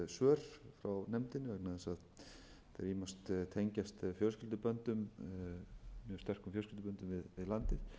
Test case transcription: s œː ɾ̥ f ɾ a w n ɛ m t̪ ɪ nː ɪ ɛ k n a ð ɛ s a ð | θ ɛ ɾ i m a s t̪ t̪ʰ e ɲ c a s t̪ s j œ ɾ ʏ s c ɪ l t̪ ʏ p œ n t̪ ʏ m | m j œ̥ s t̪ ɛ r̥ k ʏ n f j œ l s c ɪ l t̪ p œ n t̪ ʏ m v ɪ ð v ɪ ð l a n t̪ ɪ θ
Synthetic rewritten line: s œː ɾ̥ f ɾ a w n ɛ m t̪ ɪ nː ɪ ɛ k n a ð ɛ s a ð | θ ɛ ɾ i m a s t̪ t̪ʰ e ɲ c a s t̪ f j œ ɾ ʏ s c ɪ l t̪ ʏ p œ n t̪ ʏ m | m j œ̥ s t̪ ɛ r̥ k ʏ m f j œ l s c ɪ l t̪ p œ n t̪ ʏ m v ɪ ð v ɪ ð l a n t̪ ɪ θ